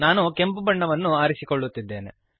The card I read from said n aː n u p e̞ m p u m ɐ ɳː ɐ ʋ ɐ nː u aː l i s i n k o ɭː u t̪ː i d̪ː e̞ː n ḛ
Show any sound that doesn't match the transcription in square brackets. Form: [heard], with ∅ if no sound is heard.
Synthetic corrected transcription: n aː n u [k] e̞ m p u [b] ɐ ɳː ɐ ʋ ɐ nː u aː [ɾ] i s i [∅] k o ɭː u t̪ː i d̪ː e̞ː n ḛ